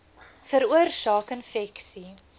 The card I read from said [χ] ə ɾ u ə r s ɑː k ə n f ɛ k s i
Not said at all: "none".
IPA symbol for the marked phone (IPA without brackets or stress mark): f